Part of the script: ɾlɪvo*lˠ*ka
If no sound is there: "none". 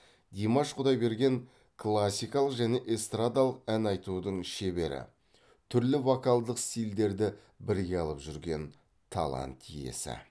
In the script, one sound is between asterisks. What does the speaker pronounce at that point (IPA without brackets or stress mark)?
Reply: none